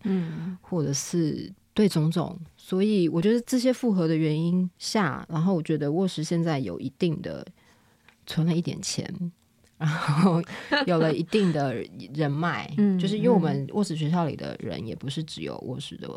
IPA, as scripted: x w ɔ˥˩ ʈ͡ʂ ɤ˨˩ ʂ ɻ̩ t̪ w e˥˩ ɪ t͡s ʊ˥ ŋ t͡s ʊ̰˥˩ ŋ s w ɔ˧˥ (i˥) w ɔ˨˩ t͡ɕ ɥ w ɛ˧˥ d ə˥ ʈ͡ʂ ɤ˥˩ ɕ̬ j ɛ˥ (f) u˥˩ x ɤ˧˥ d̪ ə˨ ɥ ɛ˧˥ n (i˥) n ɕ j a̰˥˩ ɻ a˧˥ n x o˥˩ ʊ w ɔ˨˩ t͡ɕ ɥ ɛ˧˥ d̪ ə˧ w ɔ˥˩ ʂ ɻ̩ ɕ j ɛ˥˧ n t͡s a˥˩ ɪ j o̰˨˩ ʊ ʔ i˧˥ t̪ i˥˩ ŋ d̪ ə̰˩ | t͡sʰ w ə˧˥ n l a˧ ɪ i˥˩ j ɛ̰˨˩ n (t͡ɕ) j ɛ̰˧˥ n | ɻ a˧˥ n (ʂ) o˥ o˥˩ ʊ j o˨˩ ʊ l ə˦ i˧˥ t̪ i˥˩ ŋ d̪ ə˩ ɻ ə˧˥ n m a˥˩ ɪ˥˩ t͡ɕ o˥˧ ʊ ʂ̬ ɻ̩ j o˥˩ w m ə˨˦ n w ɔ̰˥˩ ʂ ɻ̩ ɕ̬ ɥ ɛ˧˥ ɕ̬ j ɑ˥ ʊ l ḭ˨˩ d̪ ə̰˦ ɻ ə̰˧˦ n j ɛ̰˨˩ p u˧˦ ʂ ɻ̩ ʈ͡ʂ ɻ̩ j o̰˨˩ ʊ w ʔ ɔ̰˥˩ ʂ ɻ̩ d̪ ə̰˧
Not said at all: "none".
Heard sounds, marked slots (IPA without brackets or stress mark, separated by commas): i˨˩, f, i˥, t͡ɕʰ, x